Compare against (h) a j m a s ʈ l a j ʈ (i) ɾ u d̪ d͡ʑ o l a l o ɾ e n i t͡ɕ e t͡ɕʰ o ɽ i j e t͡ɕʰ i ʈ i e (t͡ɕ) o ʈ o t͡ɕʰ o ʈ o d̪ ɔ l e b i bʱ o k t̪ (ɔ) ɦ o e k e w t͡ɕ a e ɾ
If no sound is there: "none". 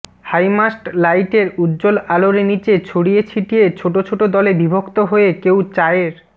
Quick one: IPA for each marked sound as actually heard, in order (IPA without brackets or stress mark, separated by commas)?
h, e, t͡ɕʰ, o